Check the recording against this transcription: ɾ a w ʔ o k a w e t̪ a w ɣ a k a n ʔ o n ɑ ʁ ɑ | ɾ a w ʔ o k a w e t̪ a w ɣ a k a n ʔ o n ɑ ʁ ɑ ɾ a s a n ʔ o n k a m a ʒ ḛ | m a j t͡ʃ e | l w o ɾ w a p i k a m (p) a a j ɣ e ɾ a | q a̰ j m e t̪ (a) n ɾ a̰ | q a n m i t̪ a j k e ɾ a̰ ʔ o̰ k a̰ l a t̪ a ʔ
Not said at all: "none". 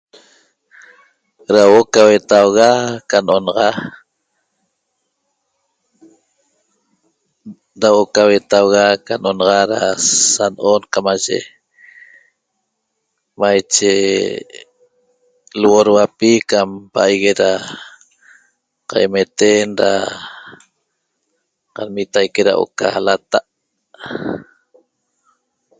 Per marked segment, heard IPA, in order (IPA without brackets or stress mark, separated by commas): p, e